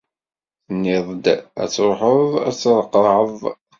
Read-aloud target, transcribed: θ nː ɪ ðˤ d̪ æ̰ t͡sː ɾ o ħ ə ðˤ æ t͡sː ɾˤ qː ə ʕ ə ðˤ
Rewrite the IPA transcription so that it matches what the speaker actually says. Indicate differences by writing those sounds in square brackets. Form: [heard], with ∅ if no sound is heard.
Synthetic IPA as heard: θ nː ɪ ðˤ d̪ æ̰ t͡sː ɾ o ħ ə ðˤ æ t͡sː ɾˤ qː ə ʕ ə ðˤ